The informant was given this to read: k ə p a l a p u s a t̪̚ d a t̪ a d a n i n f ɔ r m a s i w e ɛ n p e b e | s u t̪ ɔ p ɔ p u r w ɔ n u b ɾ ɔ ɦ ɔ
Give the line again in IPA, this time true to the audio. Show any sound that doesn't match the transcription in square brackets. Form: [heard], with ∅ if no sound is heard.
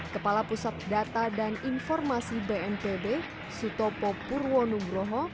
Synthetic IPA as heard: k ə p a l a p u s a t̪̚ d a t̪ a d a n i n f ɔ r m a s i [b] e ɛ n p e b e | s u t̪ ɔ p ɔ p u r w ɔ n u b ɾ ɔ ɦ ɔ